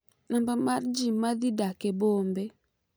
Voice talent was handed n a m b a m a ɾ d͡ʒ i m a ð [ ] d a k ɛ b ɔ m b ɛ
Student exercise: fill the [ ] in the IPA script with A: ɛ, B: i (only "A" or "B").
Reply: B